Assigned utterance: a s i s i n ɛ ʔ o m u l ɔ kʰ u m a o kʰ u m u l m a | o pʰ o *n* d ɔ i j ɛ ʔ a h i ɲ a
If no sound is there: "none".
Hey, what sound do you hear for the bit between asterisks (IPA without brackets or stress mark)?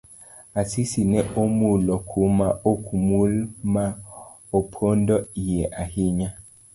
n